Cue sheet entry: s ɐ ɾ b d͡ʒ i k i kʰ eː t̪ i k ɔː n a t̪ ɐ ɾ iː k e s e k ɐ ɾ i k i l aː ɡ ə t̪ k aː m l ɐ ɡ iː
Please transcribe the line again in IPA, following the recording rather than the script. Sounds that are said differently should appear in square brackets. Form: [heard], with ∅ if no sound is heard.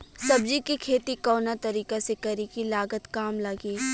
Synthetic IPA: s ɐ [∅] b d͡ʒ i k i kʰ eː t̪ i k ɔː n a t̪ ɐ ɾ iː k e s e k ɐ ɾ i k i l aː ɡ ə t̪ k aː m l ɐ ɡ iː

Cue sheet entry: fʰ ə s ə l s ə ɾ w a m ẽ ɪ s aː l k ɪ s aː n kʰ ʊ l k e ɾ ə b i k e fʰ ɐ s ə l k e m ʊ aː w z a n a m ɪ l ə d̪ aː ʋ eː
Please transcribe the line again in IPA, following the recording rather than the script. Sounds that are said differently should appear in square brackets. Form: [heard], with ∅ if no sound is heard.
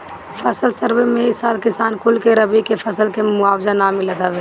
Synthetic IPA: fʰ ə s ə l s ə ɾ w [e] m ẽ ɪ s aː l k ɪ s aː n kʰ ʊ l k e ɾ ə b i k e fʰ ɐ s ə l k e m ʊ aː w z a n a m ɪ l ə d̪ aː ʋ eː

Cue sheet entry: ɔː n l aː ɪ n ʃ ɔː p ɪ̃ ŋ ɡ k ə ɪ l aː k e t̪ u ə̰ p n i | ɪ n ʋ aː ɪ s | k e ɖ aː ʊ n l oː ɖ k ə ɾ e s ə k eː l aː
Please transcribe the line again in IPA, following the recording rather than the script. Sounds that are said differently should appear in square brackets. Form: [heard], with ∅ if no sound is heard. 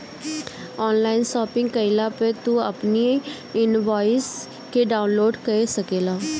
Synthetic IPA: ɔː n l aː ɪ n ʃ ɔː p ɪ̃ ŋ ɡ k ə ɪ l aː [p] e t̪ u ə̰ p n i | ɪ n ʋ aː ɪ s | k e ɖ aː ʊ n l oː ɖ k ə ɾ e s ə k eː l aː

